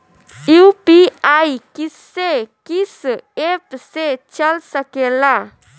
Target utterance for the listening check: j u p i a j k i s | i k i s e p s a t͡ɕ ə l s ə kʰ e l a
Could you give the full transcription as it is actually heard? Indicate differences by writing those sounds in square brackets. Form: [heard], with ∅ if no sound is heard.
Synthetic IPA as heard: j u p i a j k i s | [e] k i s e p s [e] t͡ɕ ə l s ə [k] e l a